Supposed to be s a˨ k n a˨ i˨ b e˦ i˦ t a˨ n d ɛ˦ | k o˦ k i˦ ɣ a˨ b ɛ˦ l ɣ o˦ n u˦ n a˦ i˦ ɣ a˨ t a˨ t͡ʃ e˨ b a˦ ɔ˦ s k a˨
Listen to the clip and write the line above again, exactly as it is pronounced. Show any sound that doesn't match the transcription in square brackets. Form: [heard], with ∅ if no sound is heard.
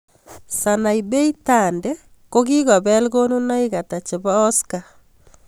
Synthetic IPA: s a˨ [∅] n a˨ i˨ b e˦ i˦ t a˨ n d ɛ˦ | k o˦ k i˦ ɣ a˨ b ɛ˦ l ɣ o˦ n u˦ n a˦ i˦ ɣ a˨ t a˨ t͡ʃ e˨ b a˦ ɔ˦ s k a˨